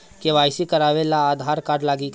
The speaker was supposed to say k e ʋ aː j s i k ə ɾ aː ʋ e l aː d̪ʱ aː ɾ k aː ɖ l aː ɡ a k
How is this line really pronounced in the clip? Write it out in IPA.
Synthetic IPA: k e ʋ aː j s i k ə ɾ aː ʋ e l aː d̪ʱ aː ɾ k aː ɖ l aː ɡ i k